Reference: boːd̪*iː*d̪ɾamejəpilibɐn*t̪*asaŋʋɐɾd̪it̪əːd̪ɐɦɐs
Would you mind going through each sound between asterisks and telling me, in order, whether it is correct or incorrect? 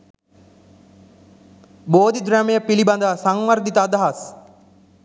incorrect, incorrect

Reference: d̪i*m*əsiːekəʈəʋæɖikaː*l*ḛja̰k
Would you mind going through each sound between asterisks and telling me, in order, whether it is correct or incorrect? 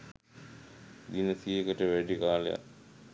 incorrect, correct

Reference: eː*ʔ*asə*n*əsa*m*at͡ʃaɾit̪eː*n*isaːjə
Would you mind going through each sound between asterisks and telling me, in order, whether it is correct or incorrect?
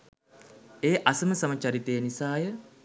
correct, incorrect, correct, correct

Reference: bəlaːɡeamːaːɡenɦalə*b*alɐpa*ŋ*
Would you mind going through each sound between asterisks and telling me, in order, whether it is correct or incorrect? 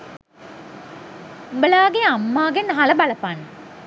correct, incorrect

